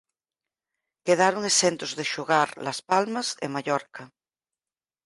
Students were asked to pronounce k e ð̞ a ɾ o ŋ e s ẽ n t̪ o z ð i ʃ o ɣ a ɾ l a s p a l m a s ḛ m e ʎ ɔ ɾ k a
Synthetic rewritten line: k e ð̞ a ɾ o ŋ e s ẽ n t̪ o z ð e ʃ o ɣ a ɾ l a s p a l m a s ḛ m a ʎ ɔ ɾ k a